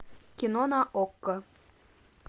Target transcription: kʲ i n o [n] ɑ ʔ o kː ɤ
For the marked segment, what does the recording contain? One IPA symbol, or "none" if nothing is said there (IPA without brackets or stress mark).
n